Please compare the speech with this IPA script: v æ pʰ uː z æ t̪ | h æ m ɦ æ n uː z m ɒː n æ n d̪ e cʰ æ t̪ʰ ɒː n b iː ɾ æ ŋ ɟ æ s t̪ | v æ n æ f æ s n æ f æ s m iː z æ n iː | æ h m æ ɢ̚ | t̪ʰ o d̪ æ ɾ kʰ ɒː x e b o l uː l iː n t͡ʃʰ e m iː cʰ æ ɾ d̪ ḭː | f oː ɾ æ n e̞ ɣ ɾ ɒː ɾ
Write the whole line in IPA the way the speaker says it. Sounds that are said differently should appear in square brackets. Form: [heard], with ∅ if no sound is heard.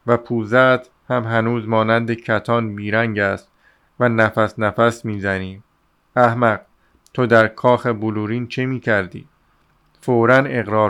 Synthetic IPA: v æ pʰ uː z æ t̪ | h æ m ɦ æ n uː z m ɒː n æ n d̪ e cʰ æ t̪ʰ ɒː n b iː ɾ æ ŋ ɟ æ s t̪ | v æ n æ f æ s n æ f æ s m iː z æ n iː | æ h m æ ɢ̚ | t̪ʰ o d̪ æ ɾ kʰ ɒː x e b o l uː [ɾ] iː n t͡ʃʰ e m iː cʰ æ ɾ d̪ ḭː | f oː ɾ æ n e̞ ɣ ɾ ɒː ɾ